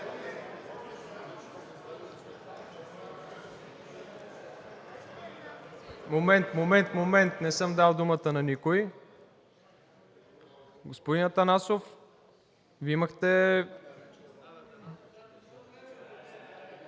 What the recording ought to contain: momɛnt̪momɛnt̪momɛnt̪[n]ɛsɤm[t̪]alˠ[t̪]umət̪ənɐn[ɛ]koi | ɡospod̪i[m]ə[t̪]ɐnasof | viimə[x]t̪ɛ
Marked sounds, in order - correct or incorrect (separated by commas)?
correct, incorrect, incorrect, incorrect, incorrect, correct, correct